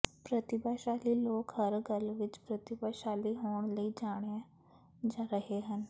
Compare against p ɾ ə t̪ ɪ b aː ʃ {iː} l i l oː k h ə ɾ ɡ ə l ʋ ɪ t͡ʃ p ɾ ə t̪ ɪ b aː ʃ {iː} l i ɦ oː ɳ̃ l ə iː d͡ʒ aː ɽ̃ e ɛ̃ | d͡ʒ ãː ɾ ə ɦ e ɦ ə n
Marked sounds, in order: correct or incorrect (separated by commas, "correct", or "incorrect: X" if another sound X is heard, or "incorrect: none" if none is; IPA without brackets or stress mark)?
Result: incorrect: aː, incorrect: aː